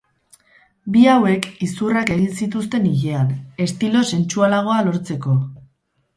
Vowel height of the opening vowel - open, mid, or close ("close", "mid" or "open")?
close